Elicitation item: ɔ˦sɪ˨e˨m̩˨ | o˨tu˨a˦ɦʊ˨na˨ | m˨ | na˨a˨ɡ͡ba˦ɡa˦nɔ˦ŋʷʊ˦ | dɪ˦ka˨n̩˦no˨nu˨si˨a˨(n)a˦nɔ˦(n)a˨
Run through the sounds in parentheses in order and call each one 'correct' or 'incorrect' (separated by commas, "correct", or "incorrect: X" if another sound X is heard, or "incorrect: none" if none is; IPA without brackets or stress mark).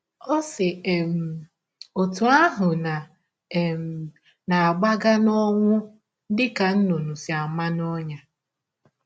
incorrect: m, incorrect: ɲ